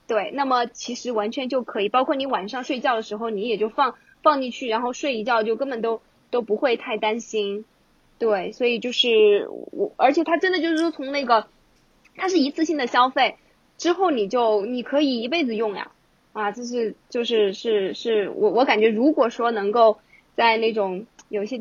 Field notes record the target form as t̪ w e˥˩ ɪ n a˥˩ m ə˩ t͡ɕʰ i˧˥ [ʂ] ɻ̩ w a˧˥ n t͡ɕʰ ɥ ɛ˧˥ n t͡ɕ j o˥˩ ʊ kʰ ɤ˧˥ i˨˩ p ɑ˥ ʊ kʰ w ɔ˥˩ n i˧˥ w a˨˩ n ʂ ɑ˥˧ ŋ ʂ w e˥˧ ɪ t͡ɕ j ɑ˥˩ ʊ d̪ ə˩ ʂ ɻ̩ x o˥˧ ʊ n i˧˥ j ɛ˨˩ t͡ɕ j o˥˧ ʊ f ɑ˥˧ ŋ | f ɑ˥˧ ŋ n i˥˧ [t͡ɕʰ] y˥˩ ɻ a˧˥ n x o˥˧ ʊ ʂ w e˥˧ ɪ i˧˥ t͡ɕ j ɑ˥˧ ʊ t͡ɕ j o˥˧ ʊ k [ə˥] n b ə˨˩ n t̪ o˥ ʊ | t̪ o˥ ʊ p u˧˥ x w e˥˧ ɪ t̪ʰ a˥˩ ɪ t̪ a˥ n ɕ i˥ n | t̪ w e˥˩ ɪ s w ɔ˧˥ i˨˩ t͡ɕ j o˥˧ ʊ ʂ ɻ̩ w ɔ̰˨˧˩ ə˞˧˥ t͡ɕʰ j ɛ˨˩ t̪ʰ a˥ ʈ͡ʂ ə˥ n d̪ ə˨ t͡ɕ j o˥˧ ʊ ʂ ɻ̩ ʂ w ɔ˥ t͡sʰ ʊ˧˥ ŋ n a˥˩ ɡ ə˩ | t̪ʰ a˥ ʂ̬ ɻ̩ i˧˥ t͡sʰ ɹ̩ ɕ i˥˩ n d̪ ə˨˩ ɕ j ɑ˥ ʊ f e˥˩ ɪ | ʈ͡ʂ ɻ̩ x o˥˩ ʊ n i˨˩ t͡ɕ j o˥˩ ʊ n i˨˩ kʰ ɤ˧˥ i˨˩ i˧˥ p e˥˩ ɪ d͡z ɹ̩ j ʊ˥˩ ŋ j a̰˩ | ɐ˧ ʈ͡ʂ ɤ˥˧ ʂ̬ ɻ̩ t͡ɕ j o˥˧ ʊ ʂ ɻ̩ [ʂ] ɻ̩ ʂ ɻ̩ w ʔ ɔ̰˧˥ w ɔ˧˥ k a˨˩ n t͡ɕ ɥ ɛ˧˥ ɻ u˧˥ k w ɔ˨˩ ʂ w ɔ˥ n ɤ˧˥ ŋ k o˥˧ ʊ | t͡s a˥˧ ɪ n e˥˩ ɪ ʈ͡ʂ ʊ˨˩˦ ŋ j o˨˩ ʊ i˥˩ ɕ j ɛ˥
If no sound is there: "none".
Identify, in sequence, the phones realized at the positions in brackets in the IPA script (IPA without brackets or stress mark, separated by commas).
ʂ, t͡ɕʰ, ə˥, ʂ